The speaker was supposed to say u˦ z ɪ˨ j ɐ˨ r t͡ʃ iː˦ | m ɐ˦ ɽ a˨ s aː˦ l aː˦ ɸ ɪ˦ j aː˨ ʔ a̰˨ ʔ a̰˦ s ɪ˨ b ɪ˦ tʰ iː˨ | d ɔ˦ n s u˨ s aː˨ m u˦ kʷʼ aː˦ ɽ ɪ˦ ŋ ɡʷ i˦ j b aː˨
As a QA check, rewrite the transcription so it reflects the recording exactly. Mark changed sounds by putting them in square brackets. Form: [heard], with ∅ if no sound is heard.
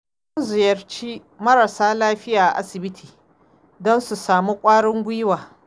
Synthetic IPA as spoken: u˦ z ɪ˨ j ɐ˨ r t͡ʃ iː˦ | m ɐ˦ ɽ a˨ s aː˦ l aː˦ ɸ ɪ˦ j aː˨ ʔ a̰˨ ʔ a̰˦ s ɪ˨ b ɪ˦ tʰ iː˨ | d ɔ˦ n s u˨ s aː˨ m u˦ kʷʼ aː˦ ɽ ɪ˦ ŋ ɡʷ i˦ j [w] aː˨